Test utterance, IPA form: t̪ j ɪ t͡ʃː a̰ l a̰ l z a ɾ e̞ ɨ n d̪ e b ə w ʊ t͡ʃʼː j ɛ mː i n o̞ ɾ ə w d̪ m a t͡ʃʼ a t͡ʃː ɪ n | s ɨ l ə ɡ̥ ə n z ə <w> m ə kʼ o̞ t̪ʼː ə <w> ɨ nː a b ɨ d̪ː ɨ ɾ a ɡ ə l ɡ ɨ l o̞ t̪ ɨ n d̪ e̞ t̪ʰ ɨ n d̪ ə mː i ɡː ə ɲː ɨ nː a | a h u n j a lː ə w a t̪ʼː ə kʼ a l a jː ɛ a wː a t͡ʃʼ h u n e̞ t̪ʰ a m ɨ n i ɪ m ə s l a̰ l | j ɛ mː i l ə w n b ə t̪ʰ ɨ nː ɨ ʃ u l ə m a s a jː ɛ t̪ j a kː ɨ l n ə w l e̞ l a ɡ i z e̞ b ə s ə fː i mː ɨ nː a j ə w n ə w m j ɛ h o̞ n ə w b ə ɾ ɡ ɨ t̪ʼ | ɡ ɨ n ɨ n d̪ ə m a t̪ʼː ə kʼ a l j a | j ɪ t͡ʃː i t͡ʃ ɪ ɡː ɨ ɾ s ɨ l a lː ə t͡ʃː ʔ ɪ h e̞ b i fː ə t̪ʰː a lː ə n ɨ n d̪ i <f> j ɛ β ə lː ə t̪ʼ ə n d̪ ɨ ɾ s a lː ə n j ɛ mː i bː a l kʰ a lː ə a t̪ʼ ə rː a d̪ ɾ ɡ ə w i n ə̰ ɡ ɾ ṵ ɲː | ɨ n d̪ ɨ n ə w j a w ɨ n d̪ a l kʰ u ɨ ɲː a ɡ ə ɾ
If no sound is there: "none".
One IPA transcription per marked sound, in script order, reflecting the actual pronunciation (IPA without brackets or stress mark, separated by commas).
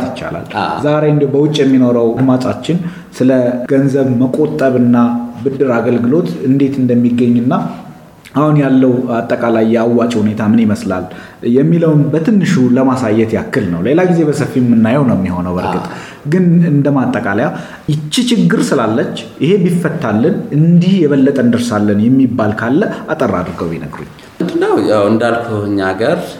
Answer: β, β, h